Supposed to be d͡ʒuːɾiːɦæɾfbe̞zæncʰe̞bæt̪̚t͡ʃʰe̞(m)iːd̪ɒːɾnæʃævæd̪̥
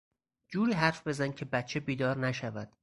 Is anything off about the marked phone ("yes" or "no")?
yes